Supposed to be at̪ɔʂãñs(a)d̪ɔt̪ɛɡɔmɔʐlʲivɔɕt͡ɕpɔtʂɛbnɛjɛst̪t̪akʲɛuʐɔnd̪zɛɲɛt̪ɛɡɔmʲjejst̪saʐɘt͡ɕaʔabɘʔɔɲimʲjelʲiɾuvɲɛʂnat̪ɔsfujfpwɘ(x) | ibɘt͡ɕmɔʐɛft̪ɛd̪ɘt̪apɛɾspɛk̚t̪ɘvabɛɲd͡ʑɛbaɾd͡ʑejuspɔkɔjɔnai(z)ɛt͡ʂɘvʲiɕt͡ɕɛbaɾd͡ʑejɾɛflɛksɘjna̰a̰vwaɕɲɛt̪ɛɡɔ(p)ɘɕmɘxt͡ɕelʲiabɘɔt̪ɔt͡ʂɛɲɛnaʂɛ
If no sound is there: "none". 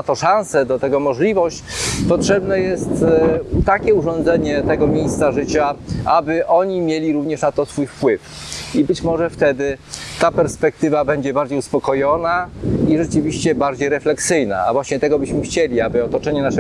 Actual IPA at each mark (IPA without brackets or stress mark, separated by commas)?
ɛ, f, ʐ, b